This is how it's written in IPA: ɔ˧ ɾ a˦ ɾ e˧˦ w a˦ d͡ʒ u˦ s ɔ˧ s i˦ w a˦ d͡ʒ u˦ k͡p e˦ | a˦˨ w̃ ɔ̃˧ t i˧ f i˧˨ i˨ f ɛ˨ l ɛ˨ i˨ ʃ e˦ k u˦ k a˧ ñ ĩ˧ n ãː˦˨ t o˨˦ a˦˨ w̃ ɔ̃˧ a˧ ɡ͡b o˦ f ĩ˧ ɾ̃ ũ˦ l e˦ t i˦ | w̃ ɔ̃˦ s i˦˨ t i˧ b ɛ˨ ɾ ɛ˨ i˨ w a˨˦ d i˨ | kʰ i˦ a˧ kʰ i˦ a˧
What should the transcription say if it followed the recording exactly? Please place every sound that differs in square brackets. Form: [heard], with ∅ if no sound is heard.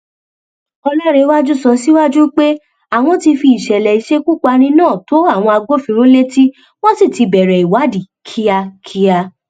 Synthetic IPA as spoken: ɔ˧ [l] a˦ ɾ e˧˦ w a˦ d͡ʒ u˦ s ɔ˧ s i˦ w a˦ d͡ʒ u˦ k͡p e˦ | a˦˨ w̃ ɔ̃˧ t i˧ f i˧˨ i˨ [ʃ] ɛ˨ l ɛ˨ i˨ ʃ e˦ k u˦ [k͡p] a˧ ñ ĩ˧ n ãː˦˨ t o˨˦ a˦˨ w̃ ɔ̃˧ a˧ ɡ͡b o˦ f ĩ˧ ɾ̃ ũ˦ l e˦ t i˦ | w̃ ɔ̃˦ s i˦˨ t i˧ b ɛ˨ ɾ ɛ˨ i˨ w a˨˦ d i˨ | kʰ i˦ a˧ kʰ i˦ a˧